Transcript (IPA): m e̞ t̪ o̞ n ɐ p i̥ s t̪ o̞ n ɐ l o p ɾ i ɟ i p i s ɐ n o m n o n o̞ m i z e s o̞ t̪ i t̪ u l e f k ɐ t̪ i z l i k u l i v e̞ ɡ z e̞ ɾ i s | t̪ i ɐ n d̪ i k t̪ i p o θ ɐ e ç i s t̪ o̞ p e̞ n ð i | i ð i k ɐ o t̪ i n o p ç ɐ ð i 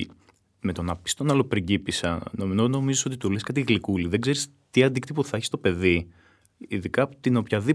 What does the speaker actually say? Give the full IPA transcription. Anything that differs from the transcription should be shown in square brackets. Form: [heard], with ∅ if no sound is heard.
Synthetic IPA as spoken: m e̞ t̪ o̞ n ɐ p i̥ s t̪ o̞ n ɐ l o p ɾ i ɟ i p i s ɐ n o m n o n o̞ m i z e s o̞ t̪ i t̪ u l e [s] k ɐ t̪ i [ɣ] l i k u l i [ð] e̞ ɡ z e̞ ɾ i s | t̪ i ɐ n d̪ i k t̪ i p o θ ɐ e ç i s t̪ o̞ p e̞ [∅] ð i | i ð i k ɐ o t̪ i n o p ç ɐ ð i